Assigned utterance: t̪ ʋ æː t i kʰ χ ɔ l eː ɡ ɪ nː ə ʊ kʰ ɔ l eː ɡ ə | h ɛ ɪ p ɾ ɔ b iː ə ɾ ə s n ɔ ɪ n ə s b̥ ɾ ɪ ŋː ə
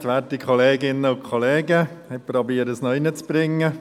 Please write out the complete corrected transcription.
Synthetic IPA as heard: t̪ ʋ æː t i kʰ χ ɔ l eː ɡ ɪ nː ə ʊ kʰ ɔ l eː ɡ ə | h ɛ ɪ p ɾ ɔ b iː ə ɾ ə s n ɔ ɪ n ə t͡s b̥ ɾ ɪ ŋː ə